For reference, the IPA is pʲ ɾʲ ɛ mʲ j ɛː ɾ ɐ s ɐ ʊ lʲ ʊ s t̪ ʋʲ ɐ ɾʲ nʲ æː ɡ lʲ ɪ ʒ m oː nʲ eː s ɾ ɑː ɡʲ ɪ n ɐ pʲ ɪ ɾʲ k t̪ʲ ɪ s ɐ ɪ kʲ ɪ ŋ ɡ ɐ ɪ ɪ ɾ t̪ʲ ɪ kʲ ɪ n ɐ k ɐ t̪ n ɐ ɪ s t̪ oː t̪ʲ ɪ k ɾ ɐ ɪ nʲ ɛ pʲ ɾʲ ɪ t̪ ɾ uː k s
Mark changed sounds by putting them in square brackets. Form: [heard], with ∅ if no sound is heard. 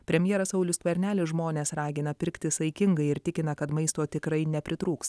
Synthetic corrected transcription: pʲ ɾʲ ɛ mʲ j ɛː ɾ ɐ s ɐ ʊ lʲ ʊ s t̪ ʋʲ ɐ ɾʲ nʲ æː [∅] lʲ ɪ ʒ m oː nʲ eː s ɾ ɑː ɡʲ ɪ n ɐ pʲ ɪ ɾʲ k t̪ʲ ɪ s ɐ ɪ kʲ ɪ ŋ ɡ ɐ ɪ ɪ ɾ t̪ʲ ɪ kʲ ɪ n ɐ k ɐ t̪ [m] ɐ ɪ s t̪ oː t̪ʲ ɪ k ɾ ɐ ɪ nʲ ɛ pʲ ɾʲ ɪ t̪ ɾ uː k s